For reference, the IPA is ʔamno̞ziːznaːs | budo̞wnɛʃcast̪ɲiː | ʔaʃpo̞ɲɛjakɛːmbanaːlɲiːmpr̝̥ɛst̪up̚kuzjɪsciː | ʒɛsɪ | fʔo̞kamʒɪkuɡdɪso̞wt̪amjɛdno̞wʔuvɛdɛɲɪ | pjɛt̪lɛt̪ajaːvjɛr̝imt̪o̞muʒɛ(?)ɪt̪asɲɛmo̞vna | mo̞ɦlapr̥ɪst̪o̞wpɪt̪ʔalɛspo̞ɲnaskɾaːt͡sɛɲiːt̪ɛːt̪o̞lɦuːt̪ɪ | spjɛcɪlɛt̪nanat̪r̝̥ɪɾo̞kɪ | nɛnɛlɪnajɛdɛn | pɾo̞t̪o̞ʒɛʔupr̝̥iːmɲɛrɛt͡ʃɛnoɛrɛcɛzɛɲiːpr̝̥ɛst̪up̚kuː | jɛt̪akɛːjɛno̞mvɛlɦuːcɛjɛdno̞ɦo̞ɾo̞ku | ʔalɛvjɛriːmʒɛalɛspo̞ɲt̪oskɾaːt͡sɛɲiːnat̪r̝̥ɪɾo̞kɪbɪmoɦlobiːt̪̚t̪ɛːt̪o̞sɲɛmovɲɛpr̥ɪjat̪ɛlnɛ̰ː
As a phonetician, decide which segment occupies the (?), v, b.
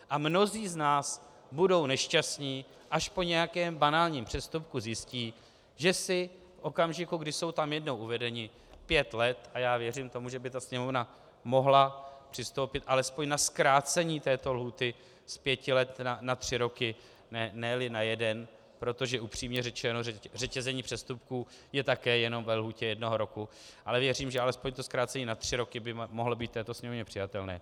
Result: b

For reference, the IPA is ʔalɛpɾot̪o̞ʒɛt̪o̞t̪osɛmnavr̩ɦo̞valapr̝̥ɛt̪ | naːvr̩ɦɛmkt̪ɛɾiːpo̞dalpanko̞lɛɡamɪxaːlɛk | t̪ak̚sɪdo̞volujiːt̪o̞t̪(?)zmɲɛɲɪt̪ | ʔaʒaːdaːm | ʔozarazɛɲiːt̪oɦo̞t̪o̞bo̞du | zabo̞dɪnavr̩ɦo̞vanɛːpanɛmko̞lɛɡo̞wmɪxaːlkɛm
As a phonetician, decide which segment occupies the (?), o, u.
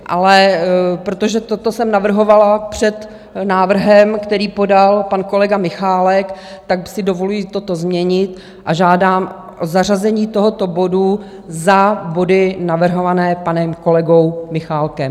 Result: o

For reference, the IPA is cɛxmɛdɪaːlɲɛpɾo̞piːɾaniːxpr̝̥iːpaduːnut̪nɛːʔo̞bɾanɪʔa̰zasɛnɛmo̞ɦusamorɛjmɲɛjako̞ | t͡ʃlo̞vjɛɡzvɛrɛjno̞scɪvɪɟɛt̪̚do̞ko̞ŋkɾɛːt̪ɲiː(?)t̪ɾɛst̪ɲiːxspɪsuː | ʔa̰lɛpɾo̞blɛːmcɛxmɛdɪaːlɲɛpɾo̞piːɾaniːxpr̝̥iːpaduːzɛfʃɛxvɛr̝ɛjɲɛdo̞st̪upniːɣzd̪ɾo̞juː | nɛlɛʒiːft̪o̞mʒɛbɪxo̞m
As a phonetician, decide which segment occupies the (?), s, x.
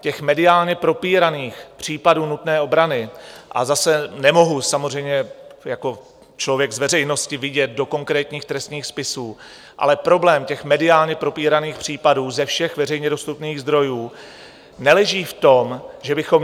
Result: x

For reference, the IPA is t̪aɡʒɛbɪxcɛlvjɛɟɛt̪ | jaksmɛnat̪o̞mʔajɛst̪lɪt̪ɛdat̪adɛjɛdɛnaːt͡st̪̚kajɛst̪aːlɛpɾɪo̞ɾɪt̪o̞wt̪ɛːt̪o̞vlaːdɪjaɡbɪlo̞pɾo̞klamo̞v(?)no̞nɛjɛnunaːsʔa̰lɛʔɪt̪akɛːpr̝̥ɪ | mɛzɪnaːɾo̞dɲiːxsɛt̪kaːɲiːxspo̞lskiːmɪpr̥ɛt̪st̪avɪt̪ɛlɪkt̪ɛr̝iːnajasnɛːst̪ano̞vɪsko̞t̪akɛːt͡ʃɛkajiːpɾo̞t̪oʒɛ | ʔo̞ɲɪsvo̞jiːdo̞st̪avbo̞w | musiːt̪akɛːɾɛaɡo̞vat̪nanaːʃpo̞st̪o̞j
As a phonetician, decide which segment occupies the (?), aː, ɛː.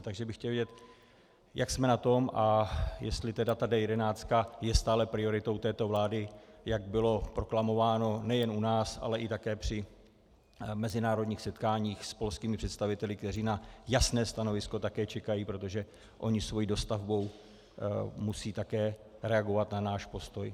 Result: aː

